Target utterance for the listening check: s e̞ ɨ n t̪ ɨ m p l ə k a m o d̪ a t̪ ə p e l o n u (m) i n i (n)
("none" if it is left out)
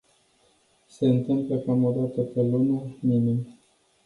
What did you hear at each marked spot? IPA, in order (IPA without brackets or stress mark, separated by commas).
m, m